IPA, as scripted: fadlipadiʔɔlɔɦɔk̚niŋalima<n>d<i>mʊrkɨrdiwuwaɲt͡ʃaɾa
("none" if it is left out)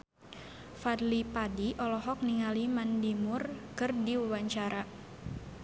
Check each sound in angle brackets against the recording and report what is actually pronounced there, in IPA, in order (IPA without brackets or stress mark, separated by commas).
n, i